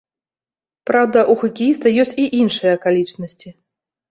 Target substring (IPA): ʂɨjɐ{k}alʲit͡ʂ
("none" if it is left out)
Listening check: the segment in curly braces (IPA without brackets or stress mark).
k